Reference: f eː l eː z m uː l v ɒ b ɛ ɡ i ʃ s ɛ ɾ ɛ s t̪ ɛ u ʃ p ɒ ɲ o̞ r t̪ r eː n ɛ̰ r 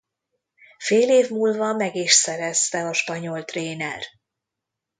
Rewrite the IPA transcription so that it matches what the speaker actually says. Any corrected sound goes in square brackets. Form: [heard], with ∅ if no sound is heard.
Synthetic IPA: f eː l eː [v] m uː l v ɒ [m] ɛ ɡ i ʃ s ɛ ɾ ɛ s t̪ ɛ [ɒ] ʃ p ɒ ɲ o̞ [l] t̪ r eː n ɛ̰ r